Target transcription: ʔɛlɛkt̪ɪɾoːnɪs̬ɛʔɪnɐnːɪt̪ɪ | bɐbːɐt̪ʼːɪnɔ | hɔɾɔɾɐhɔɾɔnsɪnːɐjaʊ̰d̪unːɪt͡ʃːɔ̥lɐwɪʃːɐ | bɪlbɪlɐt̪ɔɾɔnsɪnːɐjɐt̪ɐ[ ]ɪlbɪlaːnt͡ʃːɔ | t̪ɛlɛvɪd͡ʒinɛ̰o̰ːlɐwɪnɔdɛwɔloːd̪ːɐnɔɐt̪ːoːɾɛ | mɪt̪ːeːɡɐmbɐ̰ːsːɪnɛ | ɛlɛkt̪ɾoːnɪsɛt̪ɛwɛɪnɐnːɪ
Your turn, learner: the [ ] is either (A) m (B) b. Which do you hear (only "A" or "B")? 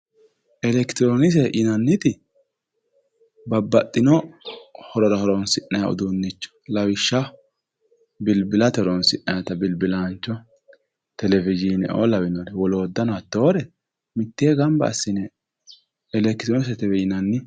B